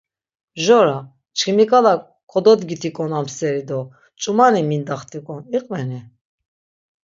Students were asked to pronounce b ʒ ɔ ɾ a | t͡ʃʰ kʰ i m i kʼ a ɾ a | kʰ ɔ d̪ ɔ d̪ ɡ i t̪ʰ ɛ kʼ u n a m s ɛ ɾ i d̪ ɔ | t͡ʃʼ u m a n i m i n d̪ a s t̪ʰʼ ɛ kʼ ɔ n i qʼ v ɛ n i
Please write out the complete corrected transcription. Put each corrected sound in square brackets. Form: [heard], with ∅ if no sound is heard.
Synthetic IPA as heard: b ʒ ɔ ɾ a | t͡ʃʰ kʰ i m i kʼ a [l] a | kʰ ɔ d̪ ɔ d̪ ɡ i t̪ʰ [i] kʼ [ɔ] n a m s ɛ ɾ i d̪ ɔ | t͡ʃʼ u m a n i m i n d̪ a [χ] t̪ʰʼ [i] kʼ ɔ n i qʼ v ɛ n i